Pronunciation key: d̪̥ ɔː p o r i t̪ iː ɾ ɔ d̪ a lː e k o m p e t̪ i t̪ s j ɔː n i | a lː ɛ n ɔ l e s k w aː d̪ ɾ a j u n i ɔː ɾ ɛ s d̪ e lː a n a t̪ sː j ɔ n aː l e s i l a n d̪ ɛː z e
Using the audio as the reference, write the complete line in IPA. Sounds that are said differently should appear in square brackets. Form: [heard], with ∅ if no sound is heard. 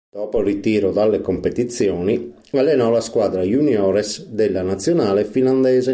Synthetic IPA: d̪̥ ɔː p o r i t̪ iː ɾ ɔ d̪ a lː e k o m p e t̪ i t̪ s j ɔː n i | a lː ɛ n ɔ l [a] s k w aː d̪ ɾ a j u n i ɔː ɾ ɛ s d̪ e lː a n a t̪ sː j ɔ n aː l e [f] i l a n d̪ ɛː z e